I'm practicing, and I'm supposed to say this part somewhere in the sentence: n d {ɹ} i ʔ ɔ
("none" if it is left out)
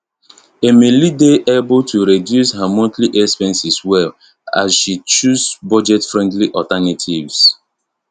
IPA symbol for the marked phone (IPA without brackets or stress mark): l